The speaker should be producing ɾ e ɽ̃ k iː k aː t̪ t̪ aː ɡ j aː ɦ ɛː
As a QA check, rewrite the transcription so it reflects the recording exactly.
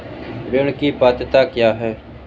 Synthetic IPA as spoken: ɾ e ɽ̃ k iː p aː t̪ t̪ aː k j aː ɦ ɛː